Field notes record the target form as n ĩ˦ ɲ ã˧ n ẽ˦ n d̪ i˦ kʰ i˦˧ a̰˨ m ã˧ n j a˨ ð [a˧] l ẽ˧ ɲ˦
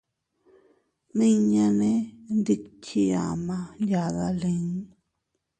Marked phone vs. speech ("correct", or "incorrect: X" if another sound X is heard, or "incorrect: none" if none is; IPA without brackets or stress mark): correct